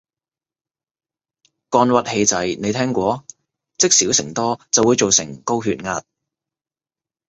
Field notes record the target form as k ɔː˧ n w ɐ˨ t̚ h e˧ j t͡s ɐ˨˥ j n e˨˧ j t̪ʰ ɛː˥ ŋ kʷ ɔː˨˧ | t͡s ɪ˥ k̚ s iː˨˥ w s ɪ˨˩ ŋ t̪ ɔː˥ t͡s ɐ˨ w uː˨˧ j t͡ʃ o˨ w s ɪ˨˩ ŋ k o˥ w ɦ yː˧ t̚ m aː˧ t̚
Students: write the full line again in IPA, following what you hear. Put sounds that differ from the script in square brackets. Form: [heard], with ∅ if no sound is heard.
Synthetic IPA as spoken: k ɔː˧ n w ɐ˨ t̚ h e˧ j t͡s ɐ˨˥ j n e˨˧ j t̪ʰ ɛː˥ ŋ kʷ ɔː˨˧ | t͡s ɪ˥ k̚ s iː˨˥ w s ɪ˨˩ ŋ t̪ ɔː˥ t͡s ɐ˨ w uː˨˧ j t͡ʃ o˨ w s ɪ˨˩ ŋ k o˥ w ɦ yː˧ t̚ [ŋ] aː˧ t̚